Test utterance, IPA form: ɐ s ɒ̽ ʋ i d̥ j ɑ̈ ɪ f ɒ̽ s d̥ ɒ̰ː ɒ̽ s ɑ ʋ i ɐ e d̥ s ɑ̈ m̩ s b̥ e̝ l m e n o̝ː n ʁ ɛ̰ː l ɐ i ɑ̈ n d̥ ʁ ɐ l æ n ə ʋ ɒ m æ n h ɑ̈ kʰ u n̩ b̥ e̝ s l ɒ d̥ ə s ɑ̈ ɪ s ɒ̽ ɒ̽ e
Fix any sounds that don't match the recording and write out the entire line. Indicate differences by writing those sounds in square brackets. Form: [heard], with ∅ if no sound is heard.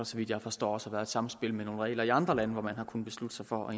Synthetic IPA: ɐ s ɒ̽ ʋ i d̥ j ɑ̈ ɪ f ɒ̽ s d̥ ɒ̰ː ɒ̽ s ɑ ʋ [æ] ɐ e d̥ s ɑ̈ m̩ s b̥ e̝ l m e n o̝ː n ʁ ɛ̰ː l ɐ i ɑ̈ n d̥ ʁ ɐ l æ n ə ʋ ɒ m æ n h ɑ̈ kʰ u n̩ b̥ e̝ s l [u] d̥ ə s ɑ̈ ɪ [f] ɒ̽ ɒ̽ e